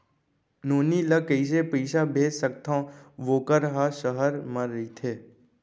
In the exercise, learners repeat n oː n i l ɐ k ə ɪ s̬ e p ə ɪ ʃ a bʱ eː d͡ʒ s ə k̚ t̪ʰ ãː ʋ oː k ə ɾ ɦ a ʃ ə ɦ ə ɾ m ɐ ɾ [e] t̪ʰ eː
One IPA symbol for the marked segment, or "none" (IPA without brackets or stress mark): i